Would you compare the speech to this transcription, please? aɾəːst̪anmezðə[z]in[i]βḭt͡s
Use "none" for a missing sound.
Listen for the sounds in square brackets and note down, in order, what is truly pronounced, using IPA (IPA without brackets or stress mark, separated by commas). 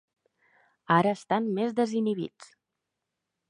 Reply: z, i